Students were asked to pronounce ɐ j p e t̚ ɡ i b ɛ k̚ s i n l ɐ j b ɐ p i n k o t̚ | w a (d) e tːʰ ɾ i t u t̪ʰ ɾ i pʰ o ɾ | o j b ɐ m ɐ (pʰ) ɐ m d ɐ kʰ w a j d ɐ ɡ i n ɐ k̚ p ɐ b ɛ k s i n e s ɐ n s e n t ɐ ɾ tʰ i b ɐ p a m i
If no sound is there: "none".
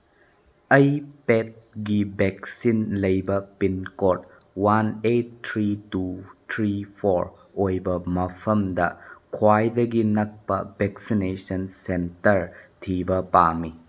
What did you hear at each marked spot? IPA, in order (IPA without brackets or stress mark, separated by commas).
n, pʰ